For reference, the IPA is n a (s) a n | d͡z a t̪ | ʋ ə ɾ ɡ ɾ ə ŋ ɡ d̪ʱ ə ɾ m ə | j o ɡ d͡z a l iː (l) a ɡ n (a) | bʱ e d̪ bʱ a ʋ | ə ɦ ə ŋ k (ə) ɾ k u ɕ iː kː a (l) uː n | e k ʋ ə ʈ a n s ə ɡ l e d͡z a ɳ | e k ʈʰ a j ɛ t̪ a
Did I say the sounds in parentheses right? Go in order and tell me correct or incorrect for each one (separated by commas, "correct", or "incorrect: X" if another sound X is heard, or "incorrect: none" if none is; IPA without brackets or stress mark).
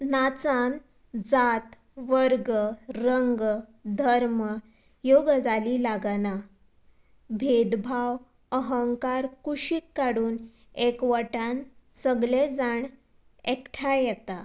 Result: incorrect: t͡s, correct, correct, incorrect: a, incorrect: ɽ